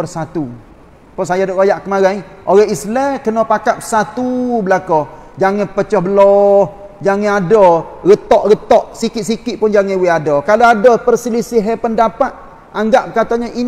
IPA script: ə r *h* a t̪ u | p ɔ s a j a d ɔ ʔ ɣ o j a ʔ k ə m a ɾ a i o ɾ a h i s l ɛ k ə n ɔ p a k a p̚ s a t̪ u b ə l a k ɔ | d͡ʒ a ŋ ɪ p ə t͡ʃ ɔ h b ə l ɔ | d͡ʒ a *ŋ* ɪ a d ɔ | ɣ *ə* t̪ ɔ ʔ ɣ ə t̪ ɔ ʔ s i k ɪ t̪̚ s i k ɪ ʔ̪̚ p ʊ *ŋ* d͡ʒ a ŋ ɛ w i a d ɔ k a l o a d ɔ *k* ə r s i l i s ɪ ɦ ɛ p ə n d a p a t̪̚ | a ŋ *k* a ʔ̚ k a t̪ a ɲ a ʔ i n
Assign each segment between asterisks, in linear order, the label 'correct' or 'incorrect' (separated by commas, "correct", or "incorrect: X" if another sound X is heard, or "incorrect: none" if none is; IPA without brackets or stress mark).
incorrect: s, correct, correct, incorrect: n, incorrect: p, incorrect: ɡ